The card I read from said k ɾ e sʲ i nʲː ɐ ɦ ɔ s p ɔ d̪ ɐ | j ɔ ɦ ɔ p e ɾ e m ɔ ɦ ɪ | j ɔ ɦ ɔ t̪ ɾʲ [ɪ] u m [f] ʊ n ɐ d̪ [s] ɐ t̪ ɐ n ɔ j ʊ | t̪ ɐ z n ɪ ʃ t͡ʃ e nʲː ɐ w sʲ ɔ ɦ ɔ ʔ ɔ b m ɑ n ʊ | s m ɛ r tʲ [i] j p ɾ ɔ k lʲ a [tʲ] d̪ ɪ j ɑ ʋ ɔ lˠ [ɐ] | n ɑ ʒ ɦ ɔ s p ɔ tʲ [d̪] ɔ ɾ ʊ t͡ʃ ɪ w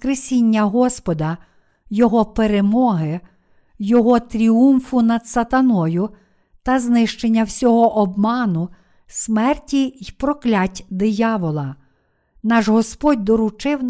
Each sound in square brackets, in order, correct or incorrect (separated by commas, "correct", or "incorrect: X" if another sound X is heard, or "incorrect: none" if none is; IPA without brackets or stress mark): incorrect: i, correct, correct, correct, correct, correct, correct